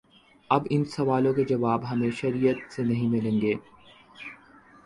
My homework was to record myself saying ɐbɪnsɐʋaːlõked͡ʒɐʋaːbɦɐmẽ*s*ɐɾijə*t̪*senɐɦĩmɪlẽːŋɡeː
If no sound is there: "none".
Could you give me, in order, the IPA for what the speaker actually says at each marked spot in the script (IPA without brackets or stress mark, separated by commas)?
ʃ, t̪